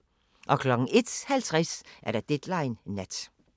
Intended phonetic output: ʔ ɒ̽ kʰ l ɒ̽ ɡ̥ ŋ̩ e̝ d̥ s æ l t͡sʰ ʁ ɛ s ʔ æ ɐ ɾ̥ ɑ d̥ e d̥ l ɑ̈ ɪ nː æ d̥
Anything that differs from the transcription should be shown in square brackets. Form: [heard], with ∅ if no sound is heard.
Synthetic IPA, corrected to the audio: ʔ ɒ̽ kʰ l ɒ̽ ɡ̥ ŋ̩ e̝ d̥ [h] æ l t͡sʰ ʁ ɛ s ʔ æ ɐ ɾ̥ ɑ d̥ e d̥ l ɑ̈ ɪ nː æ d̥